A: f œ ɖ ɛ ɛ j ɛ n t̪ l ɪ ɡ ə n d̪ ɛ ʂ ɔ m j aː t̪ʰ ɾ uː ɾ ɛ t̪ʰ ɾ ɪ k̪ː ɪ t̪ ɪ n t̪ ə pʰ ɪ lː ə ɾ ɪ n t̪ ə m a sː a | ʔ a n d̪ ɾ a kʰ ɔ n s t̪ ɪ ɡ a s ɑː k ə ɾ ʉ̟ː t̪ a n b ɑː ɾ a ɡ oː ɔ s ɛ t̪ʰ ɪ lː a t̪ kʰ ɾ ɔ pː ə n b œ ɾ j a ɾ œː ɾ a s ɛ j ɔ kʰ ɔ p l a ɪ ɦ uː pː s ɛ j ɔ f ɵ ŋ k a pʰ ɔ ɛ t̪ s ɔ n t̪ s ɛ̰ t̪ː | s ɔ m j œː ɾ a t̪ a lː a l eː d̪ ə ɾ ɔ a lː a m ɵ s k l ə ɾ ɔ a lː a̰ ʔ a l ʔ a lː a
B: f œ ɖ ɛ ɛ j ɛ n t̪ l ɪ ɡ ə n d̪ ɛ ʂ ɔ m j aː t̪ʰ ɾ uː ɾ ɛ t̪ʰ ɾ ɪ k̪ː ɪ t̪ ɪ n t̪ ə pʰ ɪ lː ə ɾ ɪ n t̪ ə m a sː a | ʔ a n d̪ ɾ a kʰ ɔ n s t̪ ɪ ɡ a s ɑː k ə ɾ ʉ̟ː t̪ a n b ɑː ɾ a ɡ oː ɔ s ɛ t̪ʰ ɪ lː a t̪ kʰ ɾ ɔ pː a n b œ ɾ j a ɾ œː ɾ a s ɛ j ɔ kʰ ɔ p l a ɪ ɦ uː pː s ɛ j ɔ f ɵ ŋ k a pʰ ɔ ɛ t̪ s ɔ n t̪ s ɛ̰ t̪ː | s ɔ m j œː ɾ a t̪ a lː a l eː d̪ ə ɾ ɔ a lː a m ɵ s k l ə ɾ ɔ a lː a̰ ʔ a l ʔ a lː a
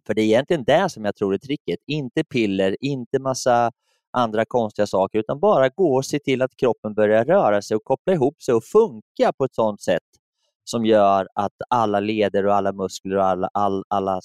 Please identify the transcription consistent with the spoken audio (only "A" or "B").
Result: A